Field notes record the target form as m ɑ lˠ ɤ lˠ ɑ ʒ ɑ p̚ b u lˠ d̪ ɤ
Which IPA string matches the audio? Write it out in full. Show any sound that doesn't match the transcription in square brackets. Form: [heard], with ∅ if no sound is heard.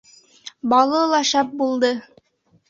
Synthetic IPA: [b] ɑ lˠ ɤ lˠ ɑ [ʃ] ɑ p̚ b u lˠ d̪ ɤ

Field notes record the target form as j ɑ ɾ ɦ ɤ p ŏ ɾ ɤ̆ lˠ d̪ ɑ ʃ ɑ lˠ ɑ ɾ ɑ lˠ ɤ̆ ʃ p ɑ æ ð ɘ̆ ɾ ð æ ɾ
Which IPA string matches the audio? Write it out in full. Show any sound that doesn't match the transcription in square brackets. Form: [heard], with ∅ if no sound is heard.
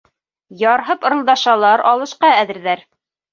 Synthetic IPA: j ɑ ɾ ɦ ɤ p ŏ ɾ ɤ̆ lˠ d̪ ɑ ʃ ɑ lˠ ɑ ɾ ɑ lˠ ɤ̆ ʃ [q] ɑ æ ð ɘ̆ ɾ ð æ ɾ

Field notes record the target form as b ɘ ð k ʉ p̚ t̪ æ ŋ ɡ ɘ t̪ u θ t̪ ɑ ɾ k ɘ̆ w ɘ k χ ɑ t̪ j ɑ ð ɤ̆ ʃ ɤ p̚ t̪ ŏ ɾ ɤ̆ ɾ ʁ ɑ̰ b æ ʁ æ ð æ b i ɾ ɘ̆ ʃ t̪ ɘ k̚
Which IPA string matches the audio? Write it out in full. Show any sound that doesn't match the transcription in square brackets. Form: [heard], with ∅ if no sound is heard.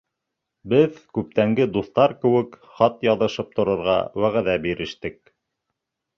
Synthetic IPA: b ɘ ð k ʉ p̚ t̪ æ ŋ ɡ ɘ [d̪] u θ t̪ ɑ ɾ k ɘ̆ w ɘ k χ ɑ t̪ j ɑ ð ɤ̆ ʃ ɤ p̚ t̪ ŏ ɾ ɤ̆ ɾ ʁ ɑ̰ [w] æ ʁ æ ð æ b i ɾ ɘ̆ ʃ t̪ ɘ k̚

